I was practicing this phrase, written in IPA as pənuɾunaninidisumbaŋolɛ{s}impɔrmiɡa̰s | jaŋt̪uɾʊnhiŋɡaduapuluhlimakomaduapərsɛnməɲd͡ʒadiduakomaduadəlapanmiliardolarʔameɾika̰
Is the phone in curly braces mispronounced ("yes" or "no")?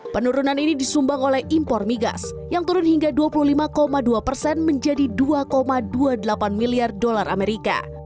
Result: yes